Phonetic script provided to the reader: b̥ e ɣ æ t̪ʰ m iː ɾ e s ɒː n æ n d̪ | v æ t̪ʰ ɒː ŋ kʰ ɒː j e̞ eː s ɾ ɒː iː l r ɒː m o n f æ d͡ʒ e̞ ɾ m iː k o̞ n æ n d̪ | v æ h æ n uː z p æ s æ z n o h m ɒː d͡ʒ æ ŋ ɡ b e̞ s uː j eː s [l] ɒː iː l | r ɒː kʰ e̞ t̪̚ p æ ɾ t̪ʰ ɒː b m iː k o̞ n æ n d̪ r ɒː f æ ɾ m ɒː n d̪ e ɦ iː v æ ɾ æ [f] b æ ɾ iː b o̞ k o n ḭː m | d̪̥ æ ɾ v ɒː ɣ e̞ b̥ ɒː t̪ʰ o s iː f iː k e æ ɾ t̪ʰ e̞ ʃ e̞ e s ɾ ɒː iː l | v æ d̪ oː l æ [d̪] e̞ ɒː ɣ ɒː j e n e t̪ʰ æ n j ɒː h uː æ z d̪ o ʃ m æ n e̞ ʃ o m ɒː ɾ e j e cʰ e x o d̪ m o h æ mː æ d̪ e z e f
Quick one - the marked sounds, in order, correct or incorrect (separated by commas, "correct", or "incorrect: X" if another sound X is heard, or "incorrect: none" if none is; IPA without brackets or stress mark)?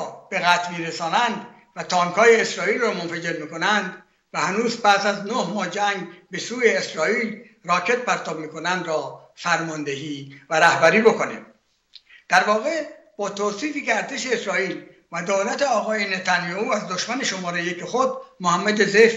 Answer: incorrect: ɾ, incorrect: h, incorrect: t̪